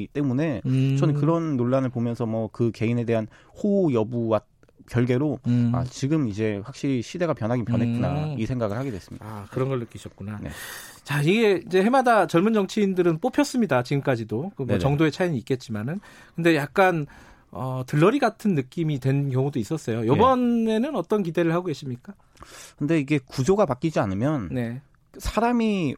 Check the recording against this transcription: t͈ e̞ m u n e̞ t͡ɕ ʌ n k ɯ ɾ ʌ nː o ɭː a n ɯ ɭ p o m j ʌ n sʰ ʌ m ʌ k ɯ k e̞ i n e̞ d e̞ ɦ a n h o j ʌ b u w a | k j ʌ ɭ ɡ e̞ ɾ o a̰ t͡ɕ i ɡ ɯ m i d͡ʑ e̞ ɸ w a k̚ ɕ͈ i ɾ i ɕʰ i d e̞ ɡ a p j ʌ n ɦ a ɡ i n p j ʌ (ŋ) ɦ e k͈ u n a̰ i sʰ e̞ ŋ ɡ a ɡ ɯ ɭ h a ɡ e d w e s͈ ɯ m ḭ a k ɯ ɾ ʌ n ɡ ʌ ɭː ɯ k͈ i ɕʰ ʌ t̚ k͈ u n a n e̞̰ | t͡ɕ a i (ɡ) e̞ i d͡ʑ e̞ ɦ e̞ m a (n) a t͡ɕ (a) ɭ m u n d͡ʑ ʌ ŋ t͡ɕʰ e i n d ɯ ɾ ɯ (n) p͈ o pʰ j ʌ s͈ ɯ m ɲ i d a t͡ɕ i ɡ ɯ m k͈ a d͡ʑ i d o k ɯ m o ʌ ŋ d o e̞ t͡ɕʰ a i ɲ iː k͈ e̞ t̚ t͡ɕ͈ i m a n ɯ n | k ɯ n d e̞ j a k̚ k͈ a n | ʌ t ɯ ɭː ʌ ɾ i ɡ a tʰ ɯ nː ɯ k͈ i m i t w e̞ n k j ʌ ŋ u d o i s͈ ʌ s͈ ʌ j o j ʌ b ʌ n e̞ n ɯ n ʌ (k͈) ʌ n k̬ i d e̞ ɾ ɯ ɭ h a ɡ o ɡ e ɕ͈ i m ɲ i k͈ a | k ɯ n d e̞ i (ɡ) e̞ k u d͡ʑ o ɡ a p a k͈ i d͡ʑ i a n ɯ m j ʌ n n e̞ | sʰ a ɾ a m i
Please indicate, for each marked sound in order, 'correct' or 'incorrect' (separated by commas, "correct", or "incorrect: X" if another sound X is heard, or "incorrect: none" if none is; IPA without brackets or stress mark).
incorrect: n, correct, incorrect: d, incorrect: ʌ, correct, incorrect: t͈, correct